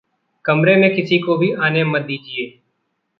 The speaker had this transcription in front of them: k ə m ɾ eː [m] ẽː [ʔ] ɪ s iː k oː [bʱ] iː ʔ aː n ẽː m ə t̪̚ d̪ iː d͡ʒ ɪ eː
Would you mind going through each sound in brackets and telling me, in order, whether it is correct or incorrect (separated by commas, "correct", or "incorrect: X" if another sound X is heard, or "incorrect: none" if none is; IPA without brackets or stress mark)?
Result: correct, incorrect: k, correct